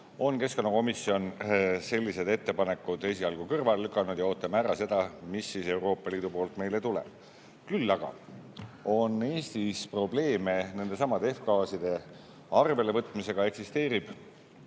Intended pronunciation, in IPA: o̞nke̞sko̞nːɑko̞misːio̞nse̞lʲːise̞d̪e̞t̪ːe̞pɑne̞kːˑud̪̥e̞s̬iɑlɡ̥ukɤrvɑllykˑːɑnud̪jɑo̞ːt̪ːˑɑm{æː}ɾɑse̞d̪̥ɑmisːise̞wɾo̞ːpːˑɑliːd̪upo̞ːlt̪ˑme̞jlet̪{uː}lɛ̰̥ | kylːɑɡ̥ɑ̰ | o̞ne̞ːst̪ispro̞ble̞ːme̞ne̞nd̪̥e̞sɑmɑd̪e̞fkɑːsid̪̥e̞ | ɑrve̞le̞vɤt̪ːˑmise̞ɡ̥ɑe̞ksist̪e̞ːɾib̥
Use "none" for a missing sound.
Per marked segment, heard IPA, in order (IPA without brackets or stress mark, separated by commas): æ, u